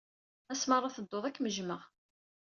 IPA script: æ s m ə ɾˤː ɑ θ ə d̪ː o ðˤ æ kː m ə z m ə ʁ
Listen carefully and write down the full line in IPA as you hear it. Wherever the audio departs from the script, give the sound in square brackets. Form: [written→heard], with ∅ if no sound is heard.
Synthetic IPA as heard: æ s m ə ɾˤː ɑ θ ə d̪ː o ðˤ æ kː m ə [z→ʒ] m ə ʁ